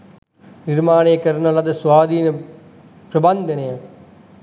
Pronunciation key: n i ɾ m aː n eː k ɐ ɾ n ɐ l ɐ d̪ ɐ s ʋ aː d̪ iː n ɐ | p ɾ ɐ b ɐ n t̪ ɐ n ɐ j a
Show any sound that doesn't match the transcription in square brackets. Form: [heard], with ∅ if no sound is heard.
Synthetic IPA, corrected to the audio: n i ɾ m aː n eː k ɐ ɾ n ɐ l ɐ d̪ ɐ s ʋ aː d̪ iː n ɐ | p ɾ ɐ b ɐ n [d̪] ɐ n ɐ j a